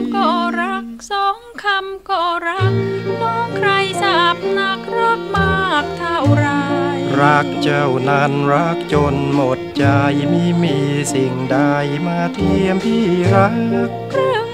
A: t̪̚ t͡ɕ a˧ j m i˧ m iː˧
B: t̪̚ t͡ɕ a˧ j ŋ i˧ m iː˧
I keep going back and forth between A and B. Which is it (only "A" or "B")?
A